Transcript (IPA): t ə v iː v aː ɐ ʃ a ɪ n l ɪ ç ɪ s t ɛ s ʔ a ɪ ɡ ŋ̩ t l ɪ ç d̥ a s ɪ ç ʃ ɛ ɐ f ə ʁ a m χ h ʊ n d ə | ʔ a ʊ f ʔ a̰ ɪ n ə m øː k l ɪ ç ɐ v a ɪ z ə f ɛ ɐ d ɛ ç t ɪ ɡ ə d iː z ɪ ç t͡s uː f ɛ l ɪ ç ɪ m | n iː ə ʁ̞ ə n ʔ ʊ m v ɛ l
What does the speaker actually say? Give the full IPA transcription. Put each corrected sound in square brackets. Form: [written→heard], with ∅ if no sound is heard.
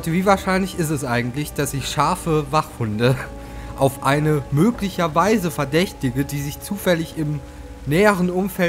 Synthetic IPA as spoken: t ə v iː v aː ɐ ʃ a ɪ n l ɪ ç ɪ s t ɛ s ʔ a ɪ ɡ ŋ̩ t l ɪ ç d̥ a s ɪ ç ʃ [ɛ→a] ɐ f ə [ʁ→v] a [m→∅] χ h ʊ n d ə | ʔ a ʊ f ʔ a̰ ɪ n ə m øː k l ɪ ç ɐ v a ɪ z ə f ɛ ɐ d ɛ ç t ɪ ɡ ə d iː z ɪ ç t͡s uː f ɛ l ɪ ç ɪ m | n [iː→ɛː] ə ʁ̞ ə n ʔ ʊ m [v→f] ɛ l